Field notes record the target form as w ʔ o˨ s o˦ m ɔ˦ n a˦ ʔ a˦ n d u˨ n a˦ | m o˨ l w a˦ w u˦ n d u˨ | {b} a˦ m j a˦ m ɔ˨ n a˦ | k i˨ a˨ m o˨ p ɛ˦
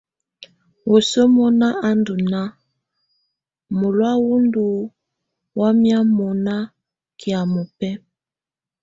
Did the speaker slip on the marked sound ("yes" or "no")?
yes